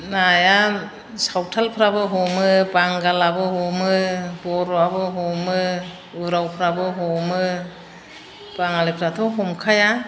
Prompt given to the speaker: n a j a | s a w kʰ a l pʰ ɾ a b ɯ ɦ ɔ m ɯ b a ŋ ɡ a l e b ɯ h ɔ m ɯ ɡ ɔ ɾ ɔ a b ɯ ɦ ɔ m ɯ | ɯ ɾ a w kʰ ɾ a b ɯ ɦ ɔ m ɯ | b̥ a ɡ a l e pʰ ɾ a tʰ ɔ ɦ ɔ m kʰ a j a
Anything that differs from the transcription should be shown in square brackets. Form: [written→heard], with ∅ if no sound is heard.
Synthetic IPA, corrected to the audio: n a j a | s a w [kʰ→tʰ] a l pʰ ɾ a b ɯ ɦ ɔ m ɯ b a ŋ ɡ a l [e→a] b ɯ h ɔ m ɯ [ɡ→b] ɔ ɾ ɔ a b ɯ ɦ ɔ m ɯ | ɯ ɾ a w [kʰ→pʰ] ɾ a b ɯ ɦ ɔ m ɯ | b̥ a [ɡ→ŋ] a l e pʰ ɾ a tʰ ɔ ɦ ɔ m kʰ a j a